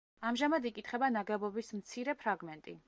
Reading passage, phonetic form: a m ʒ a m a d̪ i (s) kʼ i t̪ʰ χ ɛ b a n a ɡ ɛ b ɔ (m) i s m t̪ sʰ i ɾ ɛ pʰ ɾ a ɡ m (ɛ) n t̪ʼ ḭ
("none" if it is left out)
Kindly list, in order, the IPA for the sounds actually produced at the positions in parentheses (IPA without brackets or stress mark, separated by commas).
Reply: none, b, ɛ